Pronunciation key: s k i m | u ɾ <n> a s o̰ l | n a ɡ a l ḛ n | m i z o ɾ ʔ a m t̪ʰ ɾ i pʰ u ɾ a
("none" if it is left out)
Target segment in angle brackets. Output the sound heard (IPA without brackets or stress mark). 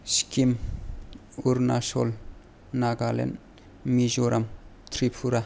n